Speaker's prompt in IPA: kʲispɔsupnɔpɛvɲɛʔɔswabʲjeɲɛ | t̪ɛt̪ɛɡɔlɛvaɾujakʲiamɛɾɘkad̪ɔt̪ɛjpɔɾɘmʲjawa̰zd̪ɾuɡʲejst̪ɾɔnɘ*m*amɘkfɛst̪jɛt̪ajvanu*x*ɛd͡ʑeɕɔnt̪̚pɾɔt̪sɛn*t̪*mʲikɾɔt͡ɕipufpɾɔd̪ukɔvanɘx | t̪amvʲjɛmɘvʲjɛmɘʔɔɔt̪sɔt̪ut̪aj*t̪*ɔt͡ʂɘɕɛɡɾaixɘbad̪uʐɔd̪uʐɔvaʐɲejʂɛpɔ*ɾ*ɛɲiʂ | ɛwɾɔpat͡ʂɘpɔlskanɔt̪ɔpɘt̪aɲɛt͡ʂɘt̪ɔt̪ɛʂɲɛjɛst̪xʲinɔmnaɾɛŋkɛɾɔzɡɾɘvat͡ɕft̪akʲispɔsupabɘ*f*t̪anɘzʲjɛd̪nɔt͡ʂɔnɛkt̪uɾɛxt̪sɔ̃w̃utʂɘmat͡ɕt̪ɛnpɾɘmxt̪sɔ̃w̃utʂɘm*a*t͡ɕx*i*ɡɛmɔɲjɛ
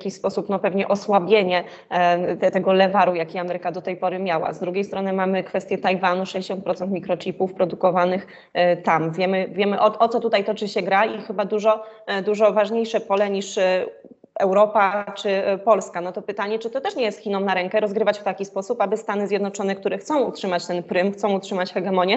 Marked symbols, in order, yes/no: yes, no, yes, yes, no, no, yes, no

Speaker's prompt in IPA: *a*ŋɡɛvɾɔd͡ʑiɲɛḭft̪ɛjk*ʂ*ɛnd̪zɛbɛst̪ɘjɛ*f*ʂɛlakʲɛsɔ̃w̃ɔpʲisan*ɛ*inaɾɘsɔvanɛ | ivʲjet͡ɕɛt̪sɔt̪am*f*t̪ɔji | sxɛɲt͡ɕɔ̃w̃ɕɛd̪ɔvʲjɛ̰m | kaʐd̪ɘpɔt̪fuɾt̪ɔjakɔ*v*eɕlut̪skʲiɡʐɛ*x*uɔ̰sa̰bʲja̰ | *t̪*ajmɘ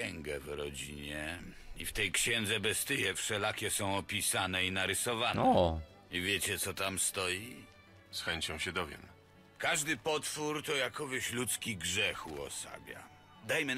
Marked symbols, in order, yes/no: no, no, yes, yes, no, yes, yes, no

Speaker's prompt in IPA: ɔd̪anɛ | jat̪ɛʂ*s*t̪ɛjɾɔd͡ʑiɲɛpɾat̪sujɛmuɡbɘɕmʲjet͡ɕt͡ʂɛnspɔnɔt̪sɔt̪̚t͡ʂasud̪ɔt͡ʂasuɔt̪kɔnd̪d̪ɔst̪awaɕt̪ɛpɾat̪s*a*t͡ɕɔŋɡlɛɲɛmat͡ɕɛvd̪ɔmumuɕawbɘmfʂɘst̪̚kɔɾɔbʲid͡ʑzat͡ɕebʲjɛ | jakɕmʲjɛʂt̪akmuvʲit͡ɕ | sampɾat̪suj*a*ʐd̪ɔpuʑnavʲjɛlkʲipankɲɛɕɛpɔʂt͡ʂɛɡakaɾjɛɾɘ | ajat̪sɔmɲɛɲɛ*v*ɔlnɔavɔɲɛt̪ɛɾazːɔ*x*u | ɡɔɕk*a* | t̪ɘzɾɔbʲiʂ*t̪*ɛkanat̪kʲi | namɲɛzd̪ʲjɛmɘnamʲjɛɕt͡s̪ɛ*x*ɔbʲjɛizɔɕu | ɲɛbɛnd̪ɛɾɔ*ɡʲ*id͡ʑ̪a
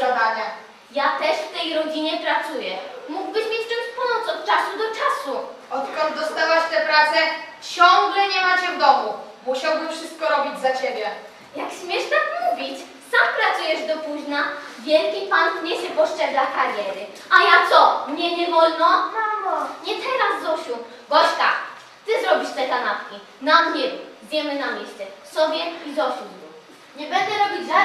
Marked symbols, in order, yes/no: no, no, no, yes, no, yes, yes, no, no

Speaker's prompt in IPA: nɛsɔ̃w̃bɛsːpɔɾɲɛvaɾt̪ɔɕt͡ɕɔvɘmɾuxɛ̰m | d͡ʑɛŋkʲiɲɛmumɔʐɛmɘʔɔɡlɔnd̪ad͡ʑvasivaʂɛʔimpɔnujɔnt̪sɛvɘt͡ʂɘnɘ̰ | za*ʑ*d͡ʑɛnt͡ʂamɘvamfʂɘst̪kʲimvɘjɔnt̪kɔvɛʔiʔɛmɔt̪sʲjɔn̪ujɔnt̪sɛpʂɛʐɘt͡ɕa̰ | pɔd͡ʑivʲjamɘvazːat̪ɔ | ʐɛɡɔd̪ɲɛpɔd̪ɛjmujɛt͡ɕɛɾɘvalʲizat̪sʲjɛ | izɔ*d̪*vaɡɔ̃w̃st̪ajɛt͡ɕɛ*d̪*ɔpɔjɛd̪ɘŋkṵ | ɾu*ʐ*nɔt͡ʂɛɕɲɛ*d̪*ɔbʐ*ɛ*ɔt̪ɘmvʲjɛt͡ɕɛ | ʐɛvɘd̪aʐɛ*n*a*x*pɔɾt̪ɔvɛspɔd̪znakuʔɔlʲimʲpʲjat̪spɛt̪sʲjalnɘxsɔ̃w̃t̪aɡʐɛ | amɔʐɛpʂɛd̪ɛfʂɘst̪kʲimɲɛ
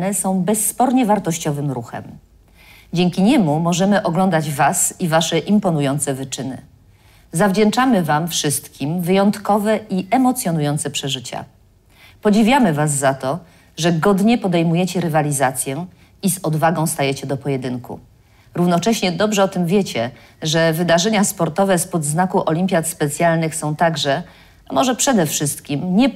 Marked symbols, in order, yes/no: no, yes, yes, no, yes, yes, no, no

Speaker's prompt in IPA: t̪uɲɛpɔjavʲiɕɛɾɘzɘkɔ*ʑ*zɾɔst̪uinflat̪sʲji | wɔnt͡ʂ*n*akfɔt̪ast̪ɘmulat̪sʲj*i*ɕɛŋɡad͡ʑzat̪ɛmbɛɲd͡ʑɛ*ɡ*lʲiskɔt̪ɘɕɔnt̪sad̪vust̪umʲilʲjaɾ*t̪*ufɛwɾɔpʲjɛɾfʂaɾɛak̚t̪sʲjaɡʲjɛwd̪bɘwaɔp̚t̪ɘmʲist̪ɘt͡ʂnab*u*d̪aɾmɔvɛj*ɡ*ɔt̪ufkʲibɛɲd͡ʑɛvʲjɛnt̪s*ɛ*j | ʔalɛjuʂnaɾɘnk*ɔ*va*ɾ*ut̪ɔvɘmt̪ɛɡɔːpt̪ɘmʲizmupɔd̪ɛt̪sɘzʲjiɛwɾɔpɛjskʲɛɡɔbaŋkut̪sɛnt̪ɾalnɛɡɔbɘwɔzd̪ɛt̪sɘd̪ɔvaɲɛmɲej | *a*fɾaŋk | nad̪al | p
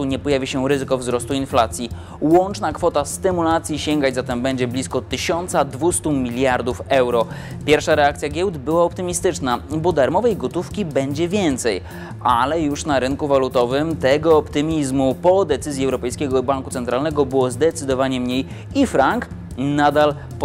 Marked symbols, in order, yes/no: no, yes, yes, no, no, no, yes, yes, no, no, no

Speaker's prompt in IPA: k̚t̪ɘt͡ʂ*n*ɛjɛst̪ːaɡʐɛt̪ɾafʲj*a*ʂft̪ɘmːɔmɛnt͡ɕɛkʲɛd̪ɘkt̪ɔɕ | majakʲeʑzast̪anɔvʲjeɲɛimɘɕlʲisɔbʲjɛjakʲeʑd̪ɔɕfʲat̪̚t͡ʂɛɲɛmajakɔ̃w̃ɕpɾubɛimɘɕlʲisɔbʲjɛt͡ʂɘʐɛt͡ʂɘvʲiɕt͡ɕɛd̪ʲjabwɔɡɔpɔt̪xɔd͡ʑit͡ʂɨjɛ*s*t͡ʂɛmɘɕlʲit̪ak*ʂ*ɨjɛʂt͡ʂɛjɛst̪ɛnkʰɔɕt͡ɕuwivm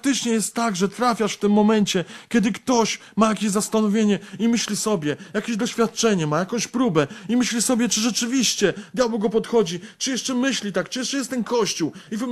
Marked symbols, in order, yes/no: no, yes, no, no

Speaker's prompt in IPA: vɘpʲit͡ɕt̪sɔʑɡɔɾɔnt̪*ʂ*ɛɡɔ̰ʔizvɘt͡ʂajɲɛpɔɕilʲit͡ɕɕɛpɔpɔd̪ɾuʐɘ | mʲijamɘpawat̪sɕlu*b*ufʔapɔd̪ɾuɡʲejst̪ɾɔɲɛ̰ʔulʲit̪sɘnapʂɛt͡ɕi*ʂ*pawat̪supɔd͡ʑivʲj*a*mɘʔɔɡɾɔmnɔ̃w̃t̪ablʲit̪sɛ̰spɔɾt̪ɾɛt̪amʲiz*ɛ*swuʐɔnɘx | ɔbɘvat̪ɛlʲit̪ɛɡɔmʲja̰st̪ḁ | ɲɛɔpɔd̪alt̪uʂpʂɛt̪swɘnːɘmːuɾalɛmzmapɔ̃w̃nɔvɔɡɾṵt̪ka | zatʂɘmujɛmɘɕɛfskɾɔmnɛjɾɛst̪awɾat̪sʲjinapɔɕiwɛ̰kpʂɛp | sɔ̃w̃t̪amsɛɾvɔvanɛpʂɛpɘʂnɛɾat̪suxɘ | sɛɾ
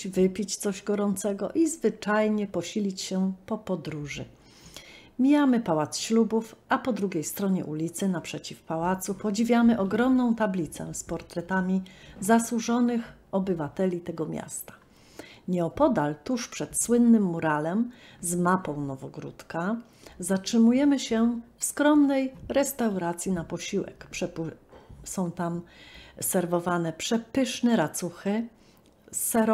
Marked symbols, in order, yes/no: no, yes, no, yes, no

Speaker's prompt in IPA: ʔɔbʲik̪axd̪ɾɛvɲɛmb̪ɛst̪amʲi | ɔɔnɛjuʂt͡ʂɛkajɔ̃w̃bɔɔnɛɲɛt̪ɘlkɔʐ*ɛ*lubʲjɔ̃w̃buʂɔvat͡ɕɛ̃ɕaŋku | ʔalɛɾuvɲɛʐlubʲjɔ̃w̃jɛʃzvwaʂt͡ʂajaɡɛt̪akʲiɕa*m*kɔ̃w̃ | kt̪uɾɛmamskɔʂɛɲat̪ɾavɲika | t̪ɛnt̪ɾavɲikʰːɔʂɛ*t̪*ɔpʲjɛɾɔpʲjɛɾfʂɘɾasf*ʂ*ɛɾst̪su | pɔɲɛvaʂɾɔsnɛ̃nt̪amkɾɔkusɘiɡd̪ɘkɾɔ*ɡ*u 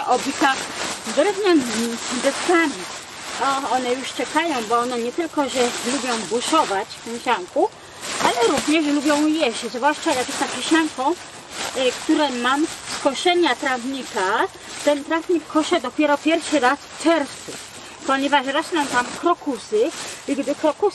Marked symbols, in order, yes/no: yes, no, no, no, no

